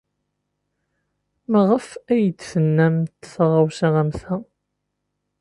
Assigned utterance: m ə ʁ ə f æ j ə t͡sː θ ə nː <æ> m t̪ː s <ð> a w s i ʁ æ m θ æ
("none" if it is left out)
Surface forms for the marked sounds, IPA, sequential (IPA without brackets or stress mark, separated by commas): æ, ʁ